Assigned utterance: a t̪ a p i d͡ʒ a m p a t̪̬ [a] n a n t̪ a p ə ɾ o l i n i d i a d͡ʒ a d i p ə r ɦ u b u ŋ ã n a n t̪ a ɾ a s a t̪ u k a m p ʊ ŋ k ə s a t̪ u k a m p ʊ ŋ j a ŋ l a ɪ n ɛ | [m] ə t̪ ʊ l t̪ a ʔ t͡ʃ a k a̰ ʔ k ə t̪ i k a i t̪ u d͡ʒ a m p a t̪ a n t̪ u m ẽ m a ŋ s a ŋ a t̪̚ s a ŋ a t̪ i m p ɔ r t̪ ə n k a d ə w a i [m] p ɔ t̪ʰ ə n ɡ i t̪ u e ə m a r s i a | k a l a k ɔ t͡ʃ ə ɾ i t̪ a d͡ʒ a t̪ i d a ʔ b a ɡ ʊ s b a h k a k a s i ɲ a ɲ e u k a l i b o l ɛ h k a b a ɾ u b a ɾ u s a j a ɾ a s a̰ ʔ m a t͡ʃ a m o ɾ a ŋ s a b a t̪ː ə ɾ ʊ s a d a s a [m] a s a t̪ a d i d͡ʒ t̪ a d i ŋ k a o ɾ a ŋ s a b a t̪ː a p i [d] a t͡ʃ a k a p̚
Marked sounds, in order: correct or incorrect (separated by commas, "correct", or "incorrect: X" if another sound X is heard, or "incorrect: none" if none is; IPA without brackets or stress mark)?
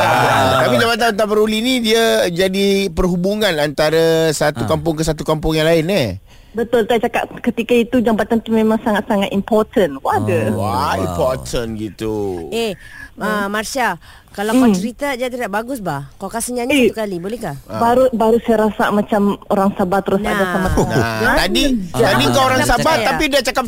correct, incorrect: b, correct, correct, correct